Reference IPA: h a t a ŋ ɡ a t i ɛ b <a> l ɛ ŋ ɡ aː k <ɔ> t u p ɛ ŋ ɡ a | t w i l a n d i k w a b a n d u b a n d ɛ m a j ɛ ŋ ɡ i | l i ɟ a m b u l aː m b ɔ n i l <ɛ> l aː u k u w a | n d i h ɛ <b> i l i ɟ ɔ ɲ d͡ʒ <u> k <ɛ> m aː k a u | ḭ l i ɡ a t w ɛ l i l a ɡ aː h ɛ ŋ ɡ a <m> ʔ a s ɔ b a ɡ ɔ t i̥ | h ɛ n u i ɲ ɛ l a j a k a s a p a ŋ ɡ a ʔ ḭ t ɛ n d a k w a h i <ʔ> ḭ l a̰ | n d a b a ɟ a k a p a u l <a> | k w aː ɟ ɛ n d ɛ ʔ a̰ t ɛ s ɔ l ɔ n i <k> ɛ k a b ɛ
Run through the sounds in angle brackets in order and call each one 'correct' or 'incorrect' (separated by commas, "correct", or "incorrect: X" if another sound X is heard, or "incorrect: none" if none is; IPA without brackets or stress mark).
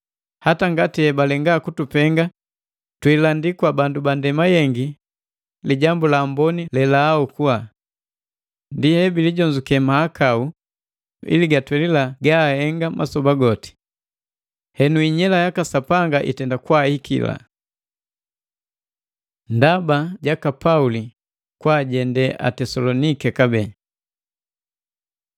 correct, incorrect: u, correct, correct, correct, correct, correct, incorrect: k, incorrect: i, correct